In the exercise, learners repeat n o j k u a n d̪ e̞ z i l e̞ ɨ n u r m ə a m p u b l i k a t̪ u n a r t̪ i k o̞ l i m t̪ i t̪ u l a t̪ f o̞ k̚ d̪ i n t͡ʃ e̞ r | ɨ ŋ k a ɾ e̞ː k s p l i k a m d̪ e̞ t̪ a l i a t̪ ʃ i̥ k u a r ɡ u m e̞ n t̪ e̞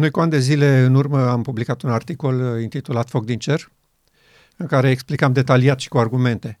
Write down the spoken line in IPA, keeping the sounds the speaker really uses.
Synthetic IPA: n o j k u a n d̪ e̞ z i l e̞ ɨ n u r m ə a m p u b l i k a t̪ u n a r t̪ i k o̞ l i n t̪ i t̪ u l a t̪ f o̞ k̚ d̪ i n t͡ʃ e̞ r | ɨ ŋ k a ɾ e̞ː k s p l i k a m d̪ e̞ t̪ a l i a t̪ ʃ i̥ k u a r ɡ u m e̞ n t̪ e̞